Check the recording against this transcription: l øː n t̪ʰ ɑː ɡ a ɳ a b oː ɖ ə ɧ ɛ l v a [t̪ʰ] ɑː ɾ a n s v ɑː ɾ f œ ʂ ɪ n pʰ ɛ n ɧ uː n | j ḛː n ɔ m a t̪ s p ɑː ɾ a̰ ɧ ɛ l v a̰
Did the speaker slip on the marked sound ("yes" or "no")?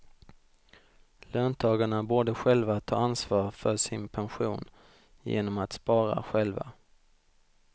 no